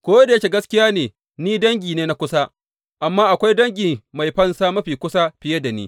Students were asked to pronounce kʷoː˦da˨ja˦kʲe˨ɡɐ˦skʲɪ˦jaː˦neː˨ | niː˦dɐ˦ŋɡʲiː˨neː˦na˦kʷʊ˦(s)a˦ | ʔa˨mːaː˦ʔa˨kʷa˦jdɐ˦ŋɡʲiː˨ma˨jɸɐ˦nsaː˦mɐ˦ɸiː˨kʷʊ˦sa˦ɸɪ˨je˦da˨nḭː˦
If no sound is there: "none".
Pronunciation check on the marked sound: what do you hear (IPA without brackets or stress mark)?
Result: s